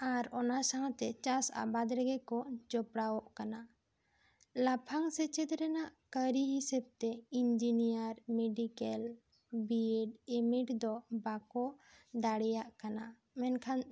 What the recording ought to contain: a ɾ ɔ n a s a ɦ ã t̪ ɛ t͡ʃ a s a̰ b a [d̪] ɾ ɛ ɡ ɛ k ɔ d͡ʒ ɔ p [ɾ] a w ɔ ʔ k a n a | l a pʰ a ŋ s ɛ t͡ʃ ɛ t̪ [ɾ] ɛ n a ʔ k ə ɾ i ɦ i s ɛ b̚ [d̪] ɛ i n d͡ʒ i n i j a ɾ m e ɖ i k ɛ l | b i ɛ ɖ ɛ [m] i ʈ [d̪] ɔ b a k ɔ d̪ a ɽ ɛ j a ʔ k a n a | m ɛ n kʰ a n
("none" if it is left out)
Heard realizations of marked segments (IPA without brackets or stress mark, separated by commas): d̪, ɽ, ɾ, t̪, m, d̪